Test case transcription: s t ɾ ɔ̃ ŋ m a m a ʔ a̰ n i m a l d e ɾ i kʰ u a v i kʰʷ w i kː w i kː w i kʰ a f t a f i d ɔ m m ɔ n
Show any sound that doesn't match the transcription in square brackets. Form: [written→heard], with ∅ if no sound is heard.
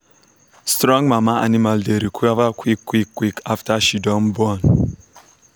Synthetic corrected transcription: s t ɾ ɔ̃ ŋ m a m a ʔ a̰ n i m a l d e ɾ i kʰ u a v [i→a] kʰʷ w i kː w i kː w i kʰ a f t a [f→ʃ] i d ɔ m [m→b] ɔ n